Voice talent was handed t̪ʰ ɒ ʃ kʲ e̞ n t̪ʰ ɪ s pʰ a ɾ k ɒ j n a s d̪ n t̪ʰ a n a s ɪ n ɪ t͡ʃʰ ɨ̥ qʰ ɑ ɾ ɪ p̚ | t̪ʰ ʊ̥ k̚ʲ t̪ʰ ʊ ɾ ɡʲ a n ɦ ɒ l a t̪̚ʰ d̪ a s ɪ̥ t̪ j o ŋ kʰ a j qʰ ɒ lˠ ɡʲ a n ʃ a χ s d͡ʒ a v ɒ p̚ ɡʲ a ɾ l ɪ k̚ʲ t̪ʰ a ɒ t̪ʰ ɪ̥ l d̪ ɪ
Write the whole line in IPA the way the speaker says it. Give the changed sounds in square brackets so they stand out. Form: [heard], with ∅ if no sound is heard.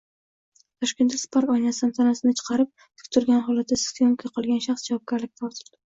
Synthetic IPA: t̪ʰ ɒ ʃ kʲ e̞ n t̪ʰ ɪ s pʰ a ɾ k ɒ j n a s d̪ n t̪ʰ a n a s ɪ n ɪ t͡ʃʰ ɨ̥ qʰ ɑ ɾ ɪ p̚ | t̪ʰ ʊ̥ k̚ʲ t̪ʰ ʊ ɾ ɡʲ a n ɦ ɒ l a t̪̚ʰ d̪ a s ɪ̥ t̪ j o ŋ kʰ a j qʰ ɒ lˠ ɡʲ a n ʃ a χ s d͡ʒ a v ɒ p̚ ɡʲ a ɾ l ɪ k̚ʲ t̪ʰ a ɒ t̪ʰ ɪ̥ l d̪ ɪ